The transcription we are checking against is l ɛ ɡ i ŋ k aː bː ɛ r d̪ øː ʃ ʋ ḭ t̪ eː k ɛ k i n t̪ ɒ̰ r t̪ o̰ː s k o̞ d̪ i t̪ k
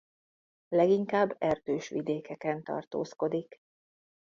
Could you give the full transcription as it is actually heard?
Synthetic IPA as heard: l ɛ ɡ i ŋ k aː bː ɛ r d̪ øː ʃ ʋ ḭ d̪ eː k ɛ k ɛ n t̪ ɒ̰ r t̪ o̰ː s k o̞ d̪ i k

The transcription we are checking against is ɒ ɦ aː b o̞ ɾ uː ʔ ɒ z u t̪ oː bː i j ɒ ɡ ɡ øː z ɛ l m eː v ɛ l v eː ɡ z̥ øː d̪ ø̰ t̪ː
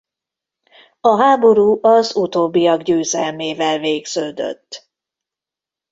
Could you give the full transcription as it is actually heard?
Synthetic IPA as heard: ɒ ɦ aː b o̞ ɾ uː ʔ ɒ z u t̪ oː bː i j ɒ ɡ ɟ øː z ɛ l m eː v ɛ l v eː ɡ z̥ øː d̪ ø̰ t̪ː

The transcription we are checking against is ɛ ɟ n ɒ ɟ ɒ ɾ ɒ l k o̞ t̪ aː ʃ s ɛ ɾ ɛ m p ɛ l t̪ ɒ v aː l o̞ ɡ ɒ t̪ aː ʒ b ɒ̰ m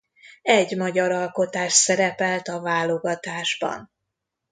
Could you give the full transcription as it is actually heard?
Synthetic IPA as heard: ɛ ɟ m ɒ ɟ ɒ ɾ ɒ l k o̞ t̪ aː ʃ s ɛ ɾ ɛ p ɛ l t̪ ɒ v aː l o̞ ɡ ɒ t̪ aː ʒ b ɒ̰ n

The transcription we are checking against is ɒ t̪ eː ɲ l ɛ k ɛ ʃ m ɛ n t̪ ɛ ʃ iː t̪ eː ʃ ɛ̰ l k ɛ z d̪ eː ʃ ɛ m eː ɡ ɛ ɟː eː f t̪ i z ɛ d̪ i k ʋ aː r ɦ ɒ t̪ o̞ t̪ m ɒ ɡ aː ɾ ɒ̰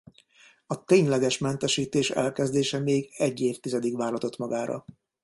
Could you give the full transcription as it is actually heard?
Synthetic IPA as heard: ɒ t̪ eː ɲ l ɛ ɡ ɛ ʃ m ɛ n t̪ ɛ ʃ iː t̪ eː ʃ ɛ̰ l k ɛ z d̪ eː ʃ ɛ m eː ɡ ɛ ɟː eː f t̪ i z ɛ d̪ i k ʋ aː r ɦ ɒ t̪ o̞ t̪ m ɒ ɡ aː ɾ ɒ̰

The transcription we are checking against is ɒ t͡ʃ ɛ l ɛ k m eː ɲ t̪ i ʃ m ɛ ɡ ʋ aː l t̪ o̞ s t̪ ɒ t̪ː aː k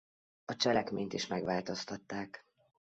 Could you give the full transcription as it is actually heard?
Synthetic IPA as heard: ɒ t͡ʃ ɛ l ɛ k m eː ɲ t̪ i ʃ m ɛ ɡ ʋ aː l t̪ o̞ s t̪ ɒ t̪ː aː k

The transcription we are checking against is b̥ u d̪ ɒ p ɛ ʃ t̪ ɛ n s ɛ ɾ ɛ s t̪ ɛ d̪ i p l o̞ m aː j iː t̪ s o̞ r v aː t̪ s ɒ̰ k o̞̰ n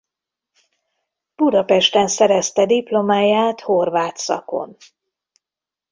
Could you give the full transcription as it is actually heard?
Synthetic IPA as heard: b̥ u d̪ ɒ p ɛ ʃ t̪ ɛ n s ɛ ɾ ɛ s t̪ ɛ d̪ i p l o̞ m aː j aː t̪ h o̞ r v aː t̪ s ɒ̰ k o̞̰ n

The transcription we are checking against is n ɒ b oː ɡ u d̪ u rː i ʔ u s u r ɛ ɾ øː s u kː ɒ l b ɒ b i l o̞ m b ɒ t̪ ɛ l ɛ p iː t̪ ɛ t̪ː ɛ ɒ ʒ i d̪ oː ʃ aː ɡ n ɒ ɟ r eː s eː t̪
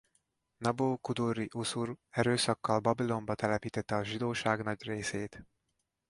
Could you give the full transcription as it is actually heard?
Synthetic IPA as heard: n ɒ b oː k u d̪ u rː i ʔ u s u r ɛ ɾ øː s ɒ kː ɒ l b ɒ b i l o̞ m b ɒ t̪ ɛ l ɛ p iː t̪ ɛ t̪ː ɛ ɒ ʒ i d̪ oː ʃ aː ɡ n ɒ ɟ r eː s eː t̪

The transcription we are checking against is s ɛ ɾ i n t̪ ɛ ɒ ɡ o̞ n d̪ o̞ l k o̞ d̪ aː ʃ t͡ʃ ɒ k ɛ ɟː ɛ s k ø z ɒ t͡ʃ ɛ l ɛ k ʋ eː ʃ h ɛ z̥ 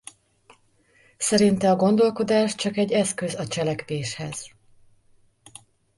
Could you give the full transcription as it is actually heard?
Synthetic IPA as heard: s ɛ ɾ i n t̪ ɛ ɒ ɡ o̞ n d̪ o̞ l k o̞ d̪ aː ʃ t͡ʃ ɒ k ɛ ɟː ɛ s k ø z ɒ t͡ʃ ɛ l ɛ k ʋ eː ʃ h ɛ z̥

